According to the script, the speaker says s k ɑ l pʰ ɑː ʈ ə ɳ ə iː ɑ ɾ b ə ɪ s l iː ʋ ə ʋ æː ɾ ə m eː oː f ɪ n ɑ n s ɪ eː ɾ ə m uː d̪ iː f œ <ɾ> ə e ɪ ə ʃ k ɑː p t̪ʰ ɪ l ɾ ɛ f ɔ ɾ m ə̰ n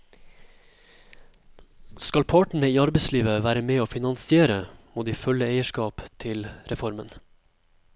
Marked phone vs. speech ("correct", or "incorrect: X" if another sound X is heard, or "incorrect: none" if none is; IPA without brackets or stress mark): incorrect: l